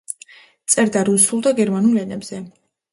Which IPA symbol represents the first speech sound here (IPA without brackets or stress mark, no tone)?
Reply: t̪